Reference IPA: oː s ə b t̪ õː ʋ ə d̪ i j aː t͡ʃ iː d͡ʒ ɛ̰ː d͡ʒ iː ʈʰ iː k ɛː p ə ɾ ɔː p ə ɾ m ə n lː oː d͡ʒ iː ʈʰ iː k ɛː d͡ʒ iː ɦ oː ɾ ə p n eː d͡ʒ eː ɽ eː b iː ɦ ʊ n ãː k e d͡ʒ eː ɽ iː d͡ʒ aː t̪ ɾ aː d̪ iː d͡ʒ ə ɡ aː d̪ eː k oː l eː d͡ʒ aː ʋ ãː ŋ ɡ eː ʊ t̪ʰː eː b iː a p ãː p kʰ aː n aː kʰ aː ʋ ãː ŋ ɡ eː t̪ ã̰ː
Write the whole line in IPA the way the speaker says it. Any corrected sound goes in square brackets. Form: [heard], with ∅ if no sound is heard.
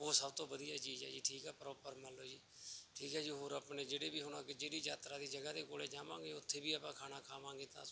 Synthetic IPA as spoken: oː s ə b t̪ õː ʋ ə d̪ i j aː t͡ʃ iː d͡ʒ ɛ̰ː d͡ʒ iː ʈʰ iː k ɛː p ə ɾ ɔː p ə ɾ m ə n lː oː d͡ʒ iː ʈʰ iː k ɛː d͡ʒ iː ɦ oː ɾ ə p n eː d͡ʒ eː ɽ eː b iː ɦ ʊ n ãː k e d͡ʒ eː ɽ iː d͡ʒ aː t̪ ɾ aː d̪ iː d͡ʒ ə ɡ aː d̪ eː k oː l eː d͡ʒ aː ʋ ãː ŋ ɡ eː ʊ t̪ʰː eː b iː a p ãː [∅] kʰ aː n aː kʰ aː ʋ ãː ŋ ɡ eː t̪ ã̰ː